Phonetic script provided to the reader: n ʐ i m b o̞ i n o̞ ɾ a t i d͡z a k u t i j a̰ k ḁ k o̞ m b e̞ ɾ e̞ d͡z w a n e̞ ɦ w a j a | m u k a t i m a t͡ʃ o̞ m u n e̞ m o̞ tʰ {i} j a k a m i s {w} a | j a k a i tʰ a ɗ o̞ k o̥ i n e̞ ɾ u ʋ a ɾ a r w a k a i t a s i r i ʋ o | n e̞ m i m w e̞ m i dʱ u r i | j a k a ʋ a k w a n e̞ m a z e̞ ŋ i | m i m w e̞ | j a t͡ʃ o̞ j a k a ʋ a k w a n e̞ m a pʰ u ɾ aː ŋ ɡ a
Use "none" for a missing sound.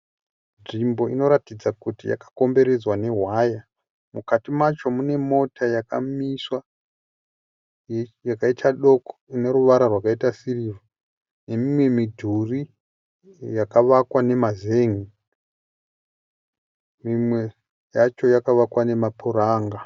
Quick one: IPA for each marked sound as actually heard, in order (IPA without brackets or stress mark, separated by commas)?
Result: a, w